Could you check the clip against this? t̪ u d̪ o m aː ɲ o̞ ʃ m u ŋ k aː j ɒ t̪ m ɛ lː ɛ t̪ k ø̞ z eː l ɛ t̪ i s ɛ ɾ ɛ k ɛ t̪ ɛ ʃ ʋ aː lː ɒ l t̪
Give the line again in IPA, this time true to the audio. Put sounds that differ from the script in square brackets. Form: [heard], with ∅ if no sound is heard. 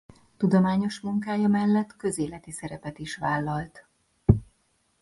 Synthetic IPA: t̪ u d̪ o m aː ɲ o̞ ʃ m u ŋ k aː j ɒ [∅] m ɛ lː ɛ t̪ k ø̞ z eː l ɛ t̪ i s ɛ ɾ ɛ [p] ɛ t̪ [i] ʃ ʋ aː lː ɒ l t̪